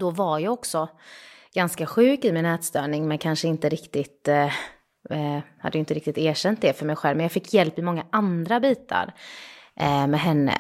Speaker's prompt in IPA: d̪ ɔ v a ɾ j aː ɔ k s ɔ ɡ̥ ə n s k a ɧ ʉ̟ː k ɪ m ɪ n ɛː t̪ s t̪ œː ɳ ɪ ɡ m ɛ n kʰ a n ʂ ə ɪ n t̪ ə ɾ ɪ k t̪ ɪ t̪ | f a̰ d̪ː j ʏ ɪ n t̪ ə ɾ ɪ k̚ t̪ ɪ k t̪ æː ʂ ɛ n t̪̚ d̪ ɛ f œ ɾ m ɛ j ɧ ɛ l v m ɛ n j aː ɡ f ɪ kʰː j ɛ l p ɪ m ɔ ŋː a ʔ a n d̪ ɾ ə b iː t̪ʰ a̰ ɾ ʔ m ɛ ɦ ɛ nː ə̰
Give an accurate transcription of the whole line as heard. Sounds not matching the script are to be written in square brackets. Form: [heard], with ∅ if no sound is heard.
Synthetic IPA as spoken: d̪ ɔ v a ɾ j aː ɔ k s ɔ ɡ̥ [a] n s k a ɧ ʉ̟ː k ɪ m ɪ n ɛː t̪ s t̪ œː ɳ ɪ [ŋ] m ɛ n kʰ a n ʂ ə ɪ n t̪ ə ɾ ɪ k t̪ ɪ t̪ | [h] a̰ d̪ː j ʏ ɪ n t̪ ə ɾ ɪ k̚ t̪ ɪ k t̪ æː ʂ ɛ n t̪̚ d̪ ɛ f œ ɾ m ɛ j ɧ ɛ l v m ɛ n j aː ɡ f ɪ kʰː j ɛ l p ɪ m ɔ ŋː a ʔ a n d̪ ɾ [a] b iː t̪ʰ a̰ ɾ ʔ m ɛ ɦ ɛ nː ə̰